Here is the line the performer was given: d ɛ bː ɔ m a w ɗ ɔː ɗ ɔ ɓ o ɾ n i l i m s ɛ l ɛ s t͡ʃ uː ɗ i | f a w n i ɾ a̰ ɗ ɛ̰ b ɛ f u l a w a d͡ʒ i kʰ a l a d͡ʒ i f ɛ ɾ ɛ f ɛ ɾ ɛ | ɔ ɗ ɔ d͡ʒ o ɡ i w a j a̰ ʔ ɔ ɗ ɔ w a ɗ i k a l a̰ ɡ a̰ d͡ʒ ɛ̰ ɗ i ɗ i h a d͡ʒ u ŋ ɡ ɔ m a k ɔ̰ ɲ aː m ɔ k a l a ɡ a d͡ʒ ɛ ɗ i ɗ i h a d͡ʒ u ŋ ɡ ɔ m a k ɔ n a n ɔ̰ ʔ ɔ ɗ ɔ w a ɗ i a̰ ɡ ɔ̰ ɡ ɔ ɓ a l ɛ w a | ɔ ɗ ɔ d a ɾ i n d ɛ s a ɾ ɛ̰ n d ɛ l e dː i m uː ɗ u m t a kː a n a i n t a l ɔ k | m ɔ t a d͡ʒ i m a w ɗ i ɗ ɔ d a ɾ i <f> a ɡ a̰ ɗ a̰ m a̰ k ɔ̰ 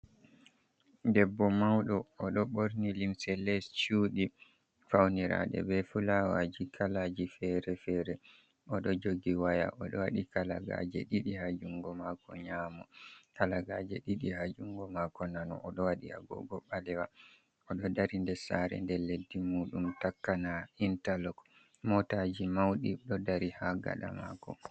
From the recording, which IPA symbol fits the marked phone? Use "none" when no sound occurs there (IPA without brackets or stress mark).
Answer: h